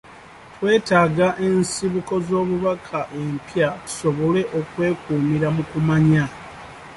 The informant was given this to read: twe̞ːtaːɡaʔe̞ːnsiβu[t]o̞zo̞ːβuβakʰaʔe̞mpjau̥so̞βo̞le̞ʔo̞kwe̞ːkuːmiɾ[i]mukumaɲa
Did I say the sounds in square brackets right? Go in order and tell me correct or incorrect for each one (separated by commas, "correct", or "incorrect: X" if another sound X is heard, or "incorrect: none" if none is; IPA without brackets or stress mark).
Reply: incorrect: k, incorrect: a